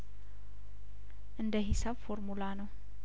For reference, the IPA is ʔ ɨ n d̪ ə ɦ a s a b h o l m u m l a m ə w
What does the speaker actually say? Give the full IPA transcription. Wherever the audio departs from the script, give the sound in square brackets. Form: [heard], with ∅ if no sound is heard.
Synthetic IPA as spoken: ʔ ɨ n d̪ ə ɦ [i] s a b [f] o [ɾ] m u [∅] l a [n] ə w